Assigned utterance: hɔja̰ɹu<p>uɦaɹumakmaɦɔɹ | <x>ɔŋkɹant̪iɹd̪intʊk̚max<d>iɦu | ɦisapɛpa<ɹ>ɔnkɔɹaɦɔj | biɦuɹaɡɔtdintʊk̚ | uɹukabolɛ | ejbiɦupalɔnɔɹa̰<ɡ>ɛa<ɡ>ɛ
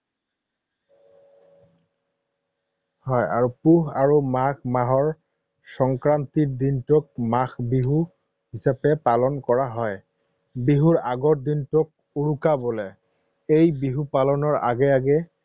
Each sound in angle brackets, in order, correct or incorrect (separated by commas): correct, incorrect, incorrect, incorrect, correct, correct